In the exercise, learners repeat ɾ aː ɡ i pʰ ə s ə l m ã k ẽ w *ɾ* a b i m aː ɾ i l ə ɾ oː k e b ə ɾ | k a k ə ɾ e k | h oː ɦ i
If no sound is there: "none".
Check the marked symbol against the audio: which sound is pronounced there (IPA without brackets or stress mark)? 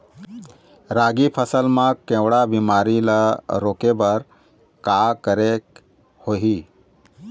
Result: ɽ